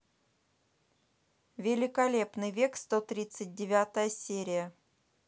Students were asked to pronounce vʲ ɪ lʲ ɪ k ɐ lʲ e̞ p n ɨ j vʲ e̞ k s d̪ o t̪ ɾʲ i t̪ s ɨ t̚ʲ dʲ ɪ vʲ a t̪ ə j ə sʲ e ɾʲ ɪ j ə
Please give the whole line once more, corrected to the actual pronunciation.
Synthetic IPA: vʲ ɪ lʲ ɪ k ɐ lʲ e̞ p n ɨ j vʲ e̞ k s t̪ o t̪ ɾʲ i t̪ s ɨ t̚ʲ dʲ ɪ vʲ a t̪ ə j ə sʲ e ɾʲ ɪ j ə